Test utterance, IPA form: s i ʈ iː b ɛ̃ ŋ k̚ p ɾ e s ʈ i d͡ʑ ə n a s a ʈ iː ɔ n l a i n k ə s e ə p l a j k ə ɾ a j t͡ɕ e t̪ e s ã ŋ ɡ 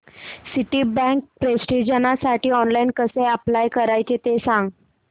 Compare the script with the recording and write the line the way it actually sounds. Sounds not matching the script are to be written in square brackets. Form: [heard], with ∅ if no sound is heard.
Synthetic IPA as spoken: s i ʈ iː b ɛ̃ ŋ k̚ p ɾ e s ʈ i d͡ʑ ə n a s a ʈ iː ɔ n l a i n k ə s e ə p l a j k ə ɾ a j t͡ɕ e t̪ e s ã ŋ ɡ